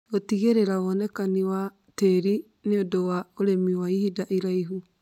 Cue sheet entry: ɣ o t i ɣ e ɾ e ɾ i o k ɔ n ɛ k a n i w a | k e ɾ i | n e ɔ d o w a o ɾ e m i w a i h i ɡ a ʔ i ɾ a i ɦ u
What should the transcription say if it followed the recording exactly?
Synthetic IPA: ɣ o t i ɣ e ɾ e ɾ a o ɔ n ɛ k a n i w a | t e ɾ i | n e o d o w a o ɾ e m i w a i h i d a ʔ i ɾ a i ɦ u